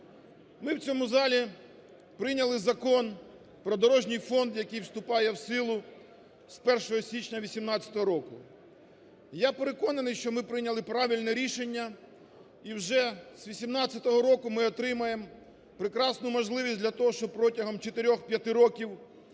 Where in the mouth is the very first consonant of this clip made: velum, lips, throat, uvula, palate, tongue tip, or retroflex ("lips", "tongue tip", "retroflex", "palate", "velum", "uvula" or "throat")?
lips